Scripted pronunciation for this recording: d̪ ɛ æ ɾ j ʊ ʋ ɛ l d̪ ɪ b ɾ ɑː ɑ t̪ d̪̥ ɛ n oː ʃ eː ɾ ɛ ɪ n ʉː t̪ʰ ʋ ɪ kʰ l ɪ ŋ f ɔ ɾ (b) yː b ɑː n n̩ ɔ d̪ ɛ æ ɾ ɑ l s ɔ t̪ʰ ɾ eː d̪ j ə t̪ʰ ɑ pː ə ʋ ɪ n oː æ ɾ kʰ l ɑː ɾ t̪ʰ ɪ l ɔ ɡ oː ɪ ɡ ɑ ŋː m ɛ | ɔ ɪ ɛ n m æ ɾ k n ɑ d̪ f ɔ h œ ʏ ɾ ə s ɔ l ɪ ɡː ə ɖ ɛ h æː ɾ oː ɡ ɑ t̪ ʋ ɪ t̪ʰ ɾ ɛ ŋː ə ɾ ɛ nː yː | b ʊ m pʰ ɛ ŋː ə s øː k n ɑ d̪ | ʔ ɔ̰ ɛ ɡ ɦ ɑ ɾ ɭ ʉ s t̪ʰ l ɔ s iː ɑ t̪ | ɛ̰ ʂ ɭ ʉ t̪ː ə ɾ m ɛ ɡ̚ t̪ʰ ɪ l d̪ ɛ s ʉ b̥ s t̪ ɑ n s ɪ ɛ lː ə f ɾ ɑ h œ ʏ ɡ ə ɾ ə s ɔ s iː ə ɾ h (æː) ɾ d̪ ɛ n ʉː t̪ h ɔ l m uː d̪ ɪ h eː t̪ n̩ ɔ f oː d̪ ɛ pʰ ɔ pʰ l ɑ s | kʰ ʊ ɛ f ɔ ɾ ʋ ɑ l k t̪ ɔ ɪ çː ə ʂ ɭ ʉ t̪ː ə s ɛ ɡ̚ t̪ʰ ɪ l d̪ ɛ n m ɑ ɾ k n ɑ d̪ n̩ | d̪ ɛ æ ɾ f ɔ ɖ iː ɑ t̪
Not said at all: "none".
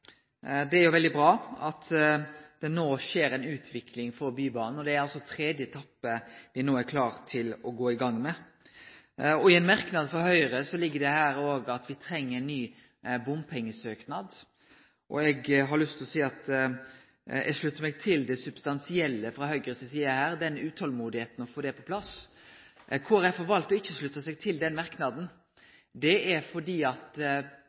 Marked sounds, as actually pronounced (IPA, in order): b, æː

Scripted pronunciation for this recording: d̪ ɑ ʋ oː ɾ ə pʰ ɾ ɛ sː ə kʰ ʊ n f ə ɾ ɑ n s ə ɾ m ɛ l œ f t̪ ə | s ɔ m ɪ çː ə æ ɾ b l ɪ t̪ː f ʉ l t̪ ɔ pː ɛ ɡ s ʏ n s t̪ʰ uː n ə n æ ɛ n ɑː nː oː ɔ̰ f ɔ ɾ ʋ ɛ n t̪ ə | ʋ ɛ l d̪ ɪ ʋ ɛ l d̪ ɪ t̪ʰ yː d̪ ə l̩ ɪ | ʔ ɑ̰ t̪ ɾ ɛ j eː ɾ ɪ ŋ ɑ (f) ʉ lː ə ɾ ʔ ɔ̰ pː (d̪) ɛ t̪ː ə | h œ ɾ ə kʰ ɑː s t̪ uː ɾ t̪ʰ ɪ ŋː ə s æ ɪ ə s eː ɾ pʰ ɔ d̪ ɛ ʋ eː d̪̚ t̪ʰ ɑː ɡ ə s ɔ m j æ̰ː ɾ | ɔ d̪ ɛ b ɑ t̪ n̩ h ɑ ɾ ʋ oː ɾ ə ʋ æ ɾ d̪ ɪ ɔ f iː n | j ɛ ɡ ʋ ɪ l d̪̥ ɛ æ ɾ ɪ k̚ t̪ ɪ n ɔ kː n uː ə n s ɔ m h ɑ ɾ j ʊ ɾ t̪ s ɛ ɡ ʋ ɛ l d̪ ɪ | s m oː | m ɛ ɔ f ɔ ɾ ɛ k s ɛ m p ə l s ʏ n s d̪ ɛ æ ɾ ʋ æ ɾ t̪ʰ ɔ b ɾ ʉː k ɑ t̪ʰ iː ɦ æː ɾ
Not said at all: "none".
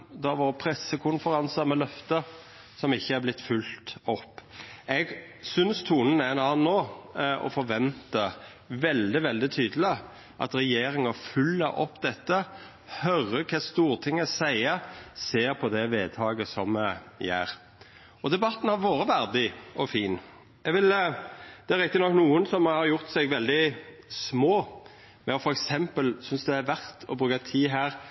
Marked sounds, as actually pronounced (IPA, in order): f, d̪

